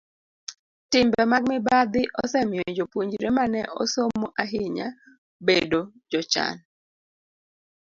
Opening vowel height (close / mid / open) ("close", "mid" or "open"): close